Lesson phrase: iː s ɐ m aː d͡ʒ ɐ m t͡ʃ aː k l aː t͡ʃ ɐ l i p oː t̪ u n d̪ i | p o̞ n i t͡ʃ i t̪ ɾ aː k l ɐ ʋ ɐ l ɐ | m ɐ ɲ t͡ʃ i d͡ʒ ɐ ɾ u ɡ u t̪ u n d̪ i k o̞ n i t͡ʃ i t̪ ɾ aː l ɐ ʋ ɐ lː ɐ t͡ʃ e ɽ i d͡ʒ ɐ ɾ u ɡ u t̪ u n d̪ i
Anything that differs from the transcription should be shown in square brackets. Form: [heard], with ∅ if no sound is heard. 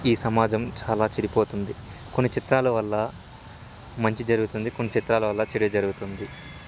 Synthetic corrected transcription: iː s ɐ m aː d͡ʒ ɐ m t͡ʃ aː [∅] l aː t͡ʃ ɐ [ɽ] i p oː t̪ u n d̪ i | [k] o̞ [nː] i t͡ʃ i t̪ ɾ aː [∅] l ɐ ʋ ɐ [lː] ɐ | m ɐ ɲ t͡ʃ i d͡ʒ ɐ ɾ u ɡ u t̪ u n d̪ i k o̞ [nː] i t͡ʃ i t̪ ɾ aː l ɐ ʋ ɐ lː ɐ t͡ʃ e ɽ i d͡ʒ ɐ ɾ u ɡ u t̪ u n d̪ i